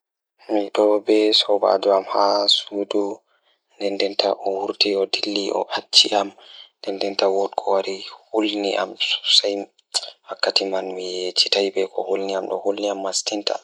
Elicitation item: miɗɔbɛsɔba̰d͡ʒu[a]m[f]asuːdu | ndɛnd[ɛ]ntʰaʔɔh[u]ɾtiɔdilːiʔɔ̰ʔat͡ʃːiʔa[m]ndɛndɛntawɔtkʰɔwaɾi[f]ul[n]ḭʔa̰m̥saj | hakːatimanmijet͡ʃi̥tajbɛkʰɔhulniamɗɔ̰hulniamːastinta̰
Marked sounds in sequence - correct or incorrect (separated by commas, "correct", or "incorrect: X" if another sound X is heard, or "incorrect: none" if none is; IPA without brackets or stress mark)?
correct, incorrect: h, correct, correct, correct, incorrect: h, correct